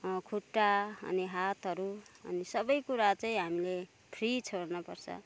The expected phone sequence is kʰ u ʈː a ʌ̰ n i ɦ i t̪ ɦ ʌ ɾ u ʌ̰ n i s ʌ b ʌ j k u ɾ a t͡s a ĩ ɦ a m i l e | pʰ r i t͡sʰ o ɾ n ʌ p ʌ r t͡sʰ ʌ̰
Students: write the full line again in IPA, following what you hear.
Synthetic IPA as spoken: kʰ u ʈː a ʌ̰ n i ɦ a t̪ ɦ ʌ ɾ u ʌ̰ n i s ʌ b ʌ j k u ɾ a t͡s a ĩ ɦ a m i l e | pʰ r i t͡sʰ o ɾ n ʌ p ʌ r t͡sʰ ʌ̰